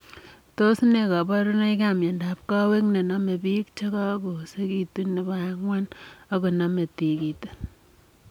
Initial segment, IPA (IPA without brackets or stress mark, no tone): t